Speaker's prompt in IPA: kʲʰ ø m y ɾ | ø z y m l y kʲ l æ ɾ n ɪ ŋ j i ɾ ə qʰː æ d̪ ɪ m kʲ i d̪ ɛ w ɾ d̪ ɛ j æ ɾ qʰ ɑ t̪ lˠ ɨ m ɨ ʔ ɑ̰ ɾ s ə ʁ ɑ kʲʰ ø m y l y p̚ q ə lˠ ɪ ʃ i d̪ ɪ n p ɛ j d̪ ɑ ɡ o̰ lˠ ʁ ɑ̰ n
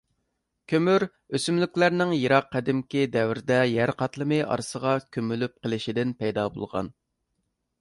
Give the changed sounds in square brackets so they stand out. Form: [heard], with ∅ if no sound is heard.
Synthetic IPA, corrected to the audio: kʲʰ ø m y ɾ | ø [s] y m l y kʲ l æ ɾ n ɪ ŋ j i ɾ [ɑ] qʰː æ d̪ ɪ m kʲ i d̪ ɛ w ɾ d̪ ɛ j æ ɾ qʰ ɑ t̪ lˠ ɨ m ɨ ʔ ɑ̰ ɾ s ə ʁ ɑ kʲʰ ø m y l y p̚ q ə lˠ ɪ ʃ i d̪ ɪ n p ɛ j d̪ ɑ [b] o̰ lˠ ʁ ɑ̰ n